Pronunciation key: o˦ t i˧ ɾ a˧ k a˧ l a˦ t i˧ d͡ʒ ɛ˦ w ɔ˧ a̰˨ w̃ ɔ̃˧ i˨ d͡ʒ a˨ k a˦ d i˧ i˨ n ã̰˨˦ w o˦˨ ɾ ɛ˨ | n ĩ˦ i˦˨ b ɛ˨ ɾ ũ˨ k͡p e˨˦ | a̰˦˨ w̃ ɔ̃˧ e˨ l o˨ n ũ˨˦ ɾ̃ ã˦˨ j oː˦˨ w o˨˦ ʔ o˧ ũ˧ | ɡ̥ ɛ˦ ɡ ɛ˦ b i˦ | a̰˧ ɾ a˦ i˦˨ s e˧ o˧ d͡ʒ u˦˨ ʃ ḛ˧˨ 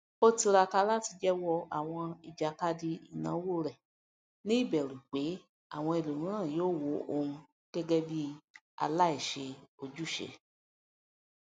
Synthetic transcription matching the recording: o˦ t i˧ ɾ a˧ k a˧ l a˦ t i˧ d͡ʒ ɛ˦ w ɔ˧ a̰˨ w̃ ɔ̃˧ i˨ d͡ʒ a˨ k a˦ d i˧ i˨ n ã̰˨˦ w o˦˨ ɾ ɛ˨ | n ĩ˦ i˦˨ b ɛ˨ ɾ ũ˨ k͡p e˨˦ | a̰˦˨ w̃ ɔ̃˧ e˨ l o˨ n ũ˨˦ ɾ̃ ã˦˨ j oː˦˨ w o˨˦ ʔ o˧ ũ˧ | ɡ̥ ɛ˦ ɡ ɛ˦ b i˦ | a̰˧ l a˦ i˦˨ ʃ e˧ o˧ d͡ʒ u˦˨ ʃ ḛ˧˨